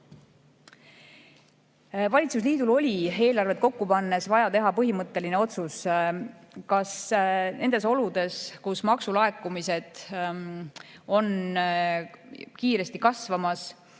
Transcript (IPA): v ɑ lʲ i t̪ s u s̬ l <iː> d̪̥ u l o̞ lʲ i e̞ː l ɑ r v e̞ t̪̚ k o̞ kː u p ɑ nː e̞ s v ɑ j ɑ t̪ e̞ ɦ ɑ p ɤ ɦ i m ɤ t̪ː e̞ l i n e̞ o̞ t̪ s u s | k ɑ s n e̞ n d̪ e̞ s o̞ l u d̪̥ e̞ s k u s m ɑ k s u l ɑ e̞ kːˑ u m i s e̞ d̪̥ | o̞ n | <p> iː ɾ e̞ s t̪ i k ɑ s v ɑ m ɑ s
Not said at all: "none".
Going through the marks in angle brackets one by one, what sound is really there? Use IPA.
iː, k

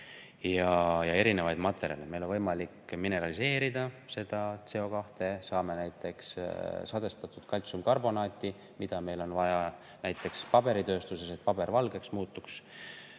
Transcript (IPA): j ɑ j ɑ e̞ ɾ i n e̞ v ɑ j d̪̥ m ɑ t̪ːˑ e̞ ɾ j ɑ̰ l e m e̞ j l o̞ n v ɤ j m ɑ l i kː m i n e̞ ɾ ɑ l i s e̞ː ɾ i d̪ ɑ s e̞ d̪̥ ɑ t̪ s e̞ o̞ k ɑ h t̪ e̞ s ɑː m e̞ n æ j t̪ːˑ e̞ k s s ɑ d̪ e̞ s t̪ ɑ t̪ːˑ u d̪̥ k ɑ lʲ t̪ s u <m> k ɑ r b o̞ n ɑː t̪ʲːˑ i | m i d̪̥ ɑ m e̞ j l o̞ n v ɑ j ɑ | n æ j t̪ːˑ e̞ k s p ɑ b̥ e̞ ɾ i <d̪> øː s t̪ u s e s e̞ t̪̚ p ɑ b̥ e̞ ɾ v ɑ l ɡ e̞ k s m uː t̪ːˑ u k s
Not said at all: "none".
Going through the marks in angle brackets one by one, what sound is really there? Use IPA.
m, t̪

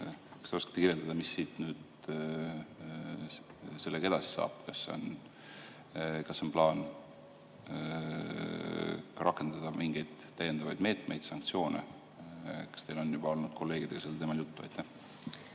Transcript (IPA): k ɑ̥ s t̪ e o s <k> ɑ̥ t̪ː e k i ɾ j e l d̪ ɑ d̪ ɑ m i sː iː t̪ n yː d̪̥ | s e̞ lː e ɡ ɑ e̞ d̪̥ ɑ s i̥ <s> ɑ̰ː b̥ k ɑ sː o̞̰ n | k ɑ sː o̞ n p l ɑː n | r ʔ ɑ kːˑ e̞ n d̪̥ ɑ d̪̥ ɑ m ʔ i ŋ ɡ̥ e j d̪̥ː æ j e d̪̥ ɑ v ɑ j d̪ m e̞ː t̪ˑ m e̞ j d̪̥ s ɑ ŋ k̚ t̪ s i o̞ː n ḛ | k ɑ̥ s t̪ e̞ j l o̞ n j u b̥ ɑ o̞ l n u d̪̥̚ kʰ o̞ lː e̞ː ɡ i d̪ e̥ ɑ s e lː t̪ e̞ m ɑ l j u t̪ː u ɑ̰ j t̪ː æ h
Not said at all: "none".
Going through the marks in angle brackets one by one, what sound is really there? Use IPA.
k, s

